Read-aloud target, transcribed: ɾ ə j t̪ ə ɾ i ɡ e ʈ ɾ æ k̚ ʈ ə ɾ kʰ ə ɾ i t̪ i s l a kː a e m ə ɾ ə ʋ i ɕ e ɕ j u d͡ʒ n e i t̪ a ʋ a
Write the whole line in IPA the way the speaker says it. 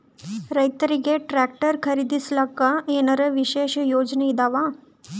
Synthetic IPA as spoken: ɾ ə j t̪ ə ɾ i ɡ e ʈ ɾ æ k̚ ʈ ə ɾ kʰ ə ɾ i d̪ i s l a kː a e n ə ɾ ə ʋ i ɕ e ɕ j o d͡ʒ n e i d̪ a ʋ a